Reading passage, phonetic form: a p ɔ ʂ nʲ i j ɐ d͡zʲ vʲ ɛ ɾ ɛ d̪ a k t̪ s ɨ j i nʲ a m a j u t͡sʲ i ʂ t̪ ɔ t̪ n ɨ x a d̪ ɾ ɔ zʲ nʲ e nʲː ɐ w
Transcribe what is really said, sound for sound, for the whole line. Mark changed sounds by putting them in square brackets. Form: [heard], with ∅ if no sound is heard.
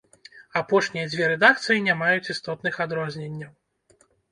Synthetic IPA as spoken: a p ɔ ʂ nʲ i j ɐ d͡zʲ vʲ ɛ ɾ ɛ d̪ a k t̪ s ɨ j i nʲ a m a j u t͡sʲ i [s] t̪ ɔ t̪ n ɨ x a d̪ ɾ ɔ zʲ nʲ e nʲː ɐ w